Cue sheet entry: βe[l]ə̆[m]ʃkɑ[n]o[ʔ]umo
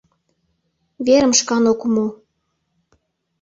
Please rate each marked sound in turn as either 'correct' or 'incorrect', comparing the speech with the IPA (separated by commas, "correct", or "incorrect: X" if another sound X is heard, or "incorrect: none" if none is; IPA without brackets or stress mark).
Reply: incorrect: ɾ, correct, correct, incorrect: k